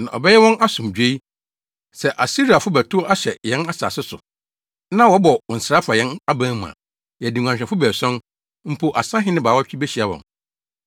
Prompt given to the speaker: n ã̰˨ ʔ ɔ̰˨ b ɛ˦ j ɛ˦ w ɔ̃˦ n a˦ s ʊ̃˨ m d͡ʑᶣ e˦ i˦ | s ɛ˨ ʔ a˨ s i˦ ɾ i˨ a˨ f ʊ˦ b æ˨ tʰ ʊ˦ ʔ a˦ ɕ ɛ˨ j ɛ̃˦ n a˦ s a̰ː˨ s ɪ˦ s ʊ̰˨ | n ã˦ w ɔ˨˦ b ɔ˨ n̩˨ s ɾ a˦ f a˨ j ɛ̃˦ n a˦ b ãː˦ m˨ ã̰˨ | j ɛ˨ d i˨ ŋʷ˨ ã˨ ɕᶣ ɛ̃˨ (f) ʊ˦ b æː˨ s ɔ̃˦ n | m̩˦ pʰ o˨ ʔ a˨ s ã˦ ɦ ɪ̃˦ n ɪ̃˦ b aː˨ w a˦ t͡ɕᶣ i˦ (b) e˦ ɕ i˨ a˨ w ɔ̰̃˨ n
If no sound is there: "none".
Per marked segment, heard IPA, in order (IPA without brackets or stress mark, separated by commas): f, b